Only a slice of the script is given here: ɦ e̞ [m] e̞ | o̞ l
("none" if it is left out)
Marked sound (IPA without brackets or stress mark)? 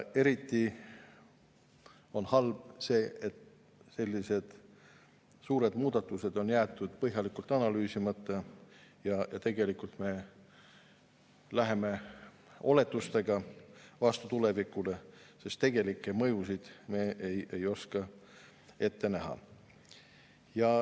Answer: m